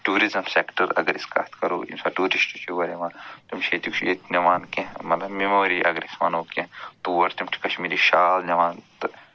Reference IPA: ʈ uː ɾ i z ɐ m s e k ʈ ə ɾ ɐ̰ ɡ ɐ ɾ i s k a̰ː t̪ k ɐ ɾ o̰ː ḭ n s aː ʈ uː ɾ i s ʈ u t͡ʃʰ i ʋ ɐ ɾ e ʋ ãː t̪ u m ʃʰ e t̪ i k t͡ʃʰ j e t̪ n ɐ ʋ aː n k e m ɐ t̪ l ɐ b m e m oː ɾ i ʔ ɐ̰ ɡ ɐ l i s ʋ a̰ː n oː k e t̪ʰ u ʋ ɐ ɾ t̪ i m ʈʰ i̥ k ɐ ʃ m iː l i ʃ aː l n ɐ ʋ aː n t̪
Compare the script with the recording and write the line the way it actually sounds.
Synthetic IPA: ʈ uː ɾ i z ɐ m s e k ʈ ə ɾ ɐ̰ ɡ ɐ ɾ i s k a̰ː t̪ k ɐ ɾ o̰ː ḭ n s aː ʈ uː ɾ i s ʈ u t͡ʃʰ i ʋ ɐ ɾ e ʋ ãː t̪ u m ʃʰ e t̪ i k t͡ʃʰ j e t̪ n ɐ ʋ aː n k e m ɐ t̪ l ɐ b m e m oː ɾ i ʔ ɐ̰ ɡ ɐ ɾ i s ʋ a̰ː n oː k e t̪ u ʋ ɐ ɾ t̪ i m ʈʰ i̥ k ɐ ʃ m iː ɾ i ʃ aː l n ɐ ʋ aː n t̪